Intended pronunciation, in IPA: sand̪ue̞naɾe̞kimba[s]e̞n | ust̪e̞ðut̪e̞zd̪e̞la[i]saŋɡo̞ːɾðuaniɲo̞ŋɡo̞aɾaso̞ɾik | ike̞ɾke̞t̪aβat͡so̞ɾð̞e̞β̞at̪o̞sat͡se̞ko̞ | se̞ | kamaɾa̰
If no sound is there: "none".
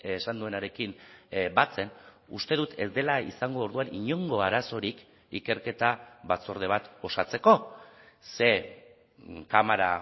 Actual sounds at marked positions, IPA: t͡s, i

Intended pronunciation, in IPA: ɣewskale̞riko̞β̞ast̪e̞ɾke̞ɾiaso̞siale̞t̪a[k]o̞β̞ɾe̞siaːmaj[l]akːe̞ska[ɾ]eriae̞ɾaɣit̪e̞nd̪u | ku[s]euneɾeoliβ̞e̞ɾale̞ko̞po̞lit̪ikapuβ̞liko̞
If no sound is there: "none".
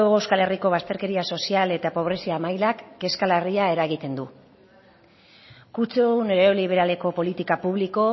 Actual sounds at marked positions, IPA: p, l, l, t͡s

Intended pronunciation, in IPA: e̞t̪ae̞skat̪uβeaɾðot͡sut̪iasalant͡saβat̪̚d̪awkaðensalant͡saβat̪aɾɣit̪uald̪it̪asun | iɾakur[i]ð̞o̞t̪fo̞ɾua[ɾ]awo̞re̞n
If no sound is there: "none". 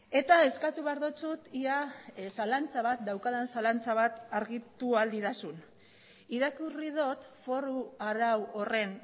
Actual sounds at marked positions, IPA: i, ɾ

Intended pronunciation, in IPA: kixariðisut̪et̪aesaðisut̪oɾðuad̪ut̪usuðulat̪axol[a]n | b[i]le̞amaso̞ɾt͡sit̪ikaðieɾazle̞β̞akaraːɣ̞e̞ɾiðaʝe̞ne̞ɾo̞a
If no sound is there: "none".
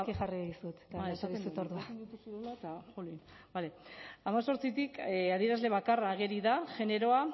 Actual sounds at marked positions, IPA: i, a

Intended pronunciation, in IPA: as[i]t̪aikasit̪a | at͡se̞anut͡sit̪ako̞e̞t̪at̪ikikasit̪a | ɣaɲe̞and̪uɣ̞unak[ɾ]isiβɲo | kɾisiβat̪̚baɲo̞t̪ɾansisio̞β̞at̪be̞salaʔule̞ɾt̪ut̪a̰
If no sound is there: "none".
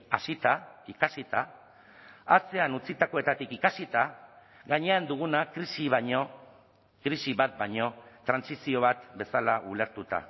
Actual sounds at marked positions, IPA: i, ɾ

